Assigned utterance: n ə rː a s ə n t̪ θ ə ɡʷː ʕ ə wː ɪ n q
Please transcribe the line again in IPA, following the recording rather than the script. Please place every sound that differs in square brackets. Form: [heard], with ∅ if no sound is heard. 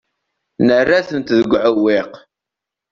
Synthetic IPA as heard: n ə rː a [θ] ə n t̪ [ð] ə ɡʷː ʕ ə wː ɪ [∅] q